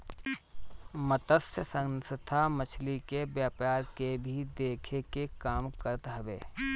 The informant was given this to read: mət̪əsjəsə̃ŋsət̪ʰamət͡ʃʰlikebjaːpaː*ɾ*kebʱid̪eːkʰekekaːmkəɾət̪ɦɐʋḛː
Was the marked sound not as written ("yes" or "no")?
no